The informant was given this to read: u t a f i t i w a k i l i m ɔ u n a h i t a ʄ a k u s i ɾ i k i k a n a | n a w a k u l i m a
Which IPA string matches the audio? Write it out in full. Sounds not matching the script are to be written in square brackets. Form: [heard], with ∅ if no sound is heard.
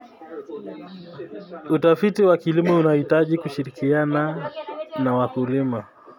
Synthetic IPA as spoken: u t a f i t i w a k i l i m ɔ u n a h i t a ʄ [i] k u [ʃ] i ɾ i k i [∅] a n a | n a w a k u l i m a